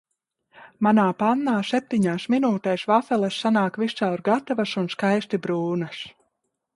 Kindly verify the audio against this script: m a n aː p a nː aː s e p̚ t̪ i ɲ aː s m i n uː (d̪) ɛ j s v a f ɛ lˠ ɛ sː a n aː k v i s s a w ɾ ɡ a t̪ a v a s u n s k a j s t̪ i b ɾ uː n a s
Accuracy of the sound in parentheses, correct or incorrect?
incorrect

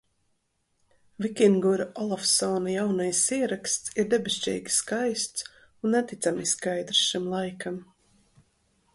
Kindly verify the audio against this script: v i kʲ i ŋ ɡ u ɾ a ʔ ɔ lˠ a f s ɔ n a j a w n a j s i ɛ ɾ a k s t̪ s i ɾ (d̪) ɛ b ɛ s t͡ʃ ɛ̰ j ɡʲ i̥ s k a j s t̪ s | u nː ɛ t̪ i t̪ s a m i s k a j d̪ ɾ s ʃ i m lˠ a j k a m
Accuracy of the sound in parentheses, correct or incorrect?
correct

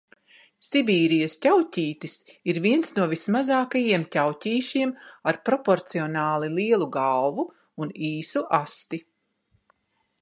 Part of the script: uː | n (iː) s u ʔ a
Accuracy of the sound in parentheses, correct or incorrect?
correct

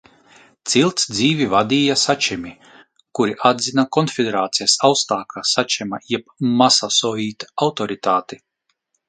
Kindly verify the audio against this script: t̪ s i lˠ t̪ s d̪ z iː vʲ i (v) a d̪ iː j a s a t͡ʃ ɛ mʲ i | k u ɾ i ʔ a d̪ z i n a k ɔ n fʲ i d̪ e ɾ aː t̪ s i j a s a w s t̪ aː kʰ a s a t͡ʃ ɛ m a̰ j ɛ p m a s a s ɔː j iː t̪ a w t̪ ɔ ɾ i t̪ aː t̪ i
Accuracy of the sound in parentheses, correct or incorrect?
correct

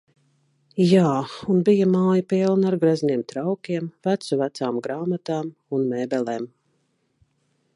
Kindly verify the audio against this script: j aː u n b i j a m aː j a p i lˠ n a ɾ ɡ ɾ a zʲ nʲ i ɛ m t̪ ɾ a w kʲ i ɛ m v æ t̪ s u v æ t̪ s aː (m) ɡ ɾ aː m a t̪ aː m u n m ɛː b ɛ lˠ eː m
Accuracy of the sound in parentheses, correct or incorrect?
correct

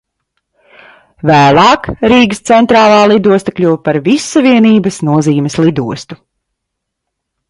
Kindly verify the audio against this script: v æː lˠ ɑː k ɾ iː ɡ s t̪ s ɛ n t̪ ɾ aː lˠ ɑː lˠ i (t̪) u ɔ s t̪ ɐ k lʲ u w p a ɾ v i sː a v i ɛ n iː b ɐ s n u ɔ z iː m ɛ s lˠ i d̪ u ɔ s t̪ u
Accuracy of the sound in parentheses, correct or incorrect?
incorrect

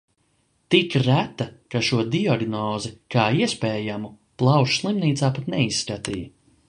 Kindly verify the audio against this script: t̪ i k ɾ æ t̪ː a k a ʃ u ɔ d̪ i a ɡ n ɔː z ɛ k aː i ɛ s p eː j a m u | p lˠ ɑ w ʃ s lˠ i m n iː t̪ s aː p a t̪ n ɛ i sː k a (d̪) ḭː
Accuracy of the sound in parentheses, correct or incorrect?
incorrect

